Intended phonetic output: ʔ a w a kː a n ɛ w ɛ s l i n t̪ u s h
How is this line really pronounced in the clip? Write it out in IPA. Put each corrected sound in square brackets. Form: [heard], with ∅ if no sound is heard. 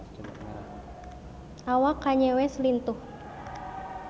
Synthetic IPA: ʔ a w a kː a [ɲ] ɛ w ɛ s l i n t̪ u [∅] h